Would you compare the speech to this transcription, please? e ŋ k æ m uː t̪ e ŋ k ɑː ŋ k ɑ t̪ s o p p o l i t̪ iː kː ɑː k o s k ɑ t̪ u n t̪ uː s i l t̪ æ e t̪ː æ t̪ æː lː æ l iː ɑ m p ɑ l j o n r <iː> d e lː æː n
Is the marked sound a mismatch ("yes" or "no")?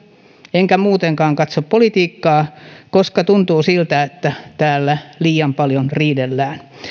no